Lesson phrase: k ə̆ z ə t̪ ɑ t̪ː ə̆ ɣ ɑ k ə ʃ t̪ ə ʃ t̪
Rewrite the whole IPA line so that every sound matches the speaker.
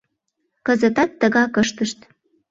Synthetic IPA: k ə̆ z ə t̪ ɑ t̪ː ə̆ ɣ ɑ k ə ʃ t̪ ə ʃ t̪